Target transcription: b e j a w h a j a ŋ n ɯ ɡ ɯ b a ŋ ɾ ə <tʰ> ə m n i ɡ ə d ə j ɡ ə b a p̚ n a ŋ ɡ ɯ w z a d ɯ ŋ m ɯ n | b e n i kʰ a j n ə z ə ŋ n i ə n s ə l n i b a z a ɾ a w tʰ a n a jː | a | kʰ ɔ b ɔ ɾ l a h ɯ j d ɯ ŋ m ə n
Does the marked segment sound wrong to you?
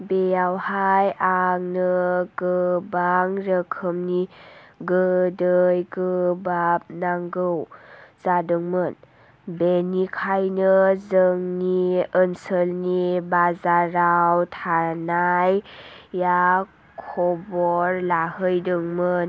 yes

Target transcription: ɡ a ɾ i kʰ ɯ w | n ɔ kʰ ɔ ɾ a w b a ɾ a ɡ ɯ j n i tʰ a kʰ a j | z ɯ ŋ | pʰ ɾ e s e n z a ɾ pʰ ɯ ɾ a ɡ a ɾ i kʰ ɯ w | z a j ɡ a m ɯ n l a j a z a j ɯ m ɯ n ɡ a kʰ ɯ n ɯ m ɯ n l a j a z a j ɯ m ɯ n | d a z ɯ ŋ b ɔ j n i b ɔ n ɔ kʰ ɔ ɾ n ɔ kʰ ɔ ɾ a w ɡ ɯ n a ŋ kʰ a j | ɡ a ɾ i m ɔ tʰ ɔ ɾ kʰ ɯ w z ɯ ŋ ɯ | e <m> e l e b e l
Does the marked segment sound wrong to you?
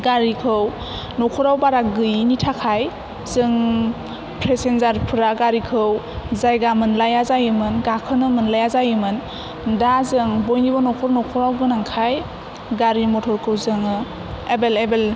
yes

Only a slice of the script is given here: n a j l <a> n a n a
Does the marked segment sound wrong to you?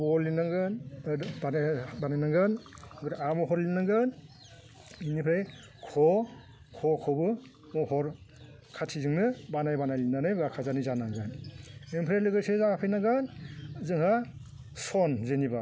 yes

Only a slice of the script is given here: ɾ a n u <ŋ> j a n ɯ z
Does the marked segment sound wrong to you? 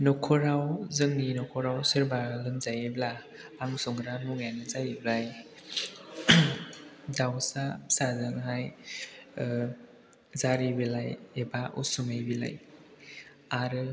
no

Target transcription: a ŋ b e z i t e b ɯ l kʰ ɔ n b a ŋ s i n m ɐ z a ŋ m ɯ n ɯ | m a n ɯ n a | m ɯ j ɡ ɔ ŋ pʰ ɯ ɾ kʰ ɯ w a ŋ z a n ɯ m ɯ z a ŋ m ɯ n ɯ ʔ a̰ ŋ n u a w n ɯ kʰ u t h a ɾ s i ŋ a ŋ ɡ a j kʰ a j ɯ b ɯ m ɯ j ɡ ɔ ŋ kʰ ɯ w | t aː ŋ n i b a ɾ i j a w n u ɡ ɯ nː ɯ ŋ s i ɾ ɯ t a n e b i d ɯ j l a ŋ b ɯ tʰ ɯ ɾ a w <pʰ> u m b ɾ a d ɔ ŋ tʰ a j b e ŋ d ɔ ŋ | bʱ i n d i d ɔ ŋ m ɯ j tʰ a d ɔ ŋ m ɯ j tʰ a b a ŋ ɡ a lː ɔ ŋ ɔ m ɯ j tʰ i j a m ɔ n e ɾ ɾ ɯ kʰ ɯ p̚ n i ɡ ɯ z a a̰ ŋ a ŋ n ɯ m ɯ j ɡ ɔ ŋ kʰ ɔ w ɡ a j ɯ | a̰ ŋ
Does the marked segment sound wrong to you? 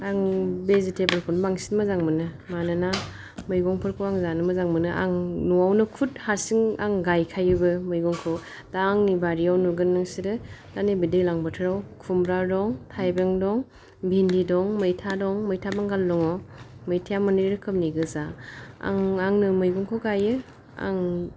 yes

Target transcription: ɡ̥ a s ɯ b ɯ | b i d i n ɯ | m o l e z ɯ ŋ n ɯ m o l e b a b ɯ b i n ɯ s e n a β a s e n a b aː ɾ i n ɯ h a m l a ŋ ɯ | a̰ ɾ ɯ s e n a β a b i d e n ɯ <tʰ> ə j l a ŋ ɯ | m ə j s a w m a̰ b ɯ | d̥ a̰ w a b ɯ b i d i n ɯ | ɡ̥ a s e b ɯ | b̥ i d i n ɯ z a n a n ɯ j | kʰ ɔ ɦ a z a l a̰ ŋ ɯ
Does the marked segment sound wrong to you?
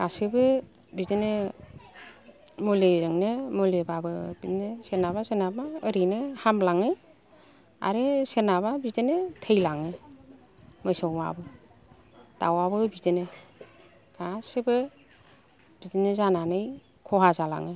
no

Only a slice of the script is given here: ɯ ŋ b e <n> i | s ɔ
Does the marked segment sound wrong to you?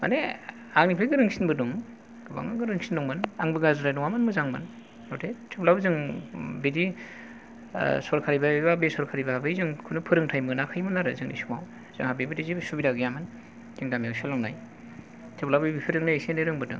yes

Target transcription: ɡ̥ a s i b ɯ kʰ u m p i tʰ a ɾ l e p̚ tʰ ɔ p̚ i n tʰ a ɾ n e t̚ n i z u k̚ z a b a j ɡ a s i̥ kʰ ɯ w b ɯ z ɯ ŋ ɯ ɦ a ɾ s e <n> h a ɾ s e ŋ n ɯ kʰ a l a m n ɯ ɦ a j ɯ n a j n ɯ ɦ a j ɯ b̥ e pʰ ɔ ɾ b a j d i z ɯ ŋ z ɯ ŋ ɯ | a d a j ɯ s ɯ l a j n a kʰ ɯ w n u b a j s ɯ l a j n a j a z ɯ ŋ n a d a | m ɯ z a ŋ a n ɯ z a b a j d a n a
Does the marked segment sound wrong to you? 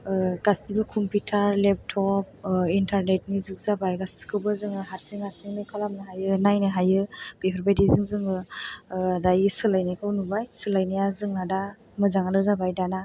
yes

